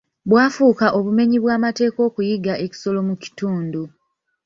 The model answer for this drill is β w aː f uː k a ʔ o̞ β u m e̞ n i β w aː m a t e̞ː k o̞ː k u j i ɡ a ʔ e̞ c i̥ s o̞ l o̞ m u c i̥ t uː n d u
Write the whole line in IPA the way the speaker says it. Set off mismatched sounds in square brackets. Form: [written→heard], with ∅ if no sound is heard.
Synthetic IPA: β w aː f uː k a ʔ o̞ β u m e̞ [n→ɲ] i β w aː m a t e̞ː k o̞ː k u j i ɡ a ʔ e̞ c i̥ s o̞ l o̞ m u c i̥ t uː n d u